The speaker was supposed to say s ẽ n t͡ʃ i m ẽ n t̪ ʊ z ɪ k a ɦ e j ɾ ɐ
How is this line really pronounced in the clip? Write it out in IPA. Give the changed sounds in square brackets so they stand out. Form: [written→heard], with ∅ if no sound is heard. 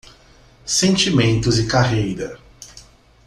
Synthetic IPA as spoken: s ẽ n t͡ʃ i m ẽ n t̪ ʊ z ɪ k a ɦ e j ɾ ɐ